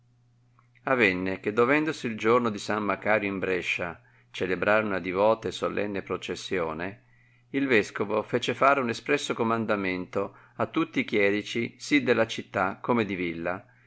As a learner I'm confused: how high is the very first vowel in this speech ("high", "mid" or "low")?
low